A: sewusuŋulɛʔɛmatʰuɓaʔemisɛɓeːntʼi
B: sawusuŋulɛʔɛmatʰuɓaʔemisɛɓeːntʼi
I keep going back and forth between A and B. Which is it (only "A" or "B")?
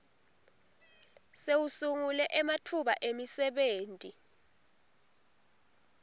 A